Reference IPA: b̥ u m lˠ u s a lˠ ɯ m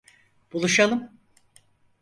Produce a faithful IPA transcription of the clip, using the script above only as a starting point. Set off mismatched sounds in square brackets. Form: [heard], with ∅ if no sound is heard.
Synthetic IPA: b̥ u [∅] lˠ u [ʃ] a lˠ ɯ m